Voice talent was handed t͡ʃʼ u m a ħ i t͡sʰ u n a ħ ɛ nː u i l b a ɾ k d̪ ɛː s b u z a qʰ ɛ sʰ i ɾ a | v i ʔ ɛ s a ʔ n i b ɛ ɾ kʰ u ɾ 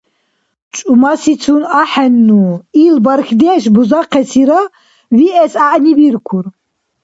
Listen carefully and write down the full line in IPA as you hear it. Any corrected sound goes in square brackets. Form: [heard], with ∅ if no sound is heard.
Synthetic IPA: t͡ʃʼ u m a [s] i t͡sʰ u n a ħ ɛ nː u i l b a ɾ [x] d̪ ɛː [ʃ] b u z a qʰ ɛ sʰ i ɾ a | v i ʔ ɛ s a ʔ n i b [i] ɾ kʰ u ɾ